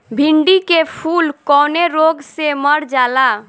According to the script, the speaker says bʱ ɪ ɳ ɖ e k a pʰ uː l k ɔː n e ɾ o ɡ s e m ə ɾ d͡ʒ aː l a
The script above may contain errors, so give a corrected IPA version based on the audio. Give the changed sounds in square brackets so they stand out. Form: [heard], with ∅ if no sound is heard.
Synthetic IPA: bʱ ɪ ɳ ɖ [i] k [e] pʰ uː l k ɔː n e ɾ o ɡ s e m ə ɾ d͡ʒ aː l a

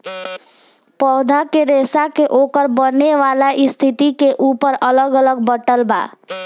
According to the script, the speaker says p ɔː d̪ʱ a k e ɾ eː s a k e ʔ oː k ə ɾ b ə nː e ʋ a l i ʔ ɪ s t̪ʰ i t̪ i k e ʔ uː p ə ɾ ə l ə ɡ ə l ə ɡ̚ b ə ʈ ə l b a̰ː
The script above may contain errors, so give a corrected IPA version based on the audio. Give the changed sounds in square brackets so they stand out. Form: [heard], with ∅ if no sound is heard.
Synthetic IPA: p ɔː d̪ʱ a k e ɾ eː s a k e ʔ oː k ə ɾ b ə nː e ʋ a l [a] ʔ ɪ s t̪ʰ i t̪ i k e ʔ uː p ə ɾ ə l ə ɡ ə l ə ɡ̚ b ə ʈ ə l b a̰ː

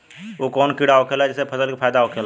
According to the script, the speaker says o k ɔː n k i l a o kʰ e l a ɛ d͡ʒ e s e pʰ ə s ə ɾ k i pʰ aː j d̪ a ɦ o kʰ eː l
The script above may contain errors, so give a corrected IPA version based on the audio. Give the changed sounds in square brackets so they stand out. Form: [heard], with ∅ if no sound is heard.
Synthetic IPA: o k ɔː n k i [ɽ] a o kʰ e l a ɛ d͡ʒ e s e pʰ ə s ə [l] k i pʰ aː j d̪ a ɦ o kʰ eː l

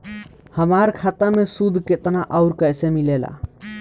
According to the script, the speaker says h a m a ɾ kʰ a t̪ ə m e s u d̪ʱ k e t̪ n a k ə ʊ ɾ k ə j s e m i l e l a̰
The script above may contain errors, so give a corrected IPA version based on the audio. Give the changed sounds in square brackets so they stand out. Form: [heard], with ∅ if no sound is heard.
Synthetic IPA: h [ə] m a ɾ kʰ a t̪ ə m e s u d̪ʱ k e t̪ n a [ʔ] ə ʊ ɾ k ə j s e m i l e l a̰

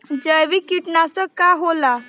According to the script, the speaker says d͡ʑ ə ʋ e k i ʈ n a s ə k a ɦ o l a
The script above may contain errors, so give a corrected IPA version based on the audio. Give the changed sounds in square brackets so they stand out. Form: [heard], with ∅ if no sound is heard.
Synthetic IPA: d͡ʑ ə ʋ [i] k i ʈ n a s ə k a ɦ o l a

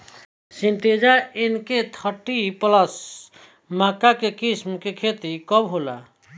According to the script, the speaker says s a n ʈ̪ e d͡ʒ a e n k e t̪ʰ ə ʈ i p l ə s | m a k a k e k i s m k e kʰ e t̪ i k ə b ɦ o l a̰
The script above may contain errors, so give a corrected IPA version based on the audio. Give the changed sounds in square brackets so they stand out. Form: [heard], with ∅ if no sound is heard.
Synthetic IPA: s [i] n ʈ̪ e d͡ʒ a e n k e t̪ʰ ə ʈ i p l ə s | m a k a k e k i s m k e kʰ e t̪ i k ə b ɦ o l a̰

